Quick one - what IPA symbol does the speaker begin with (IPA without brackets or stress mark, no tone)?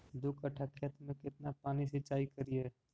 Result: d̪